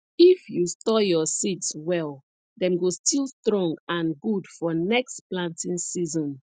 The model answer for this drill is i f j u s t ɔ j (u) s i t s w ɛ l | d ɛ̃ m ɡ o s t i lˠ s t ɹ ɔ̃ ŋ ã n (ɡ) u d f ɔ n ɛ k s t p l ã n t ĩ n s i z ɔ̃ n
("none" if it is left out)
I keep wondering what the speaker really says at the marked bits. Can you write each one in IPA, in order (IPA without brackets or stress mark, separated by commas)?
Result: ɔ, ɡ